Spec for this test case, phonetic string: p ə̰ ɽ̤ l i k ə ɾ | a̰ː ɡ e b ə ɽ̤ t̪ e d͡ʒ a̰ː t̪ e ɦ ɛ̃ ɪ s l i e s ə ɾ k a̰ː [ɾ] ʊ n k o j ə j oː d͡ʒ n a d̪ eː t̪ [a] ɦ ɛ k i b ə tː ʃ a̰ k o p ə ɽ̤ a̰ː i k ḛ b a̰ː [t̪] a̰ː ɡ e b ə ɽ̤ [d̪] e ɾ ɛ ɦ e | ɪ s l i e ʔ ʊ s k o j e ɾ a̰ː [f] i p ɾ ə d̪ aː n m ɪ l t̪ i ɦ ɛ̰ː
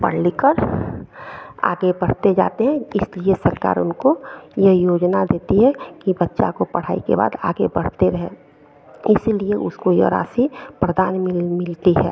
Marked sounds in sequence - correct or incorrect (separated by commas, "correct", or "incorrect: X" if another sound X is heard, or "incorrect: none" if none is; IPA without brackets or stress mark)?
correct, incorrect: i, incorrect: d̪, incorrect: t̪, incorrect: s